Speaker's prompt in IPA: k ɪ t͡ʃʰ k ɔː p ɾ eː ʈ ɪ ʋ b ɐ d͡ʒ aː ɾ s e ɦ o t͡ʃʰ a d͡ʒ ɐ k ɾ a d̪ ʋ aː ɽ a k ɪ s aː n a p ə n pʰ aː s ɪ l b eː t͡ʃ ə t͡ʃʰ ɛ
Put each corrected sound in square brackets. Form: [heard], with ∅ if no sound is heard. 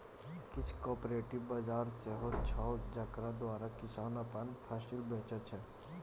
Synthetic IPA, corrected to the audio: k ɪ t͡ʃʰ k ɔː p ɾ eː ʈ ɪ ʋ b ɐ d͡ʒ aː ɾ s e ɦ o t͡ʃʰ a d͡ʒ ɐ k ɾ a d̪ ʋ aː [ɾ] a k ɪ s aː n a p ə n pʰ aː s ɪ l b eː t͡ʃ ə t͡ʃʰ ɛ